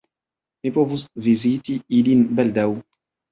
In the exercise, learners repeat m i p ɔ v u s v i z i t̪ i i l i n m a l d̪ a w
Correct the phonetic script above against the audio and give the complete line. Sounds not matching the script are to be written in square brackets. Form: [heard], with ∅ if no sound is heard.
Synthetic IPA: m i p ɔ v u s v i z i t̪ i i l i n [b] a l d̪ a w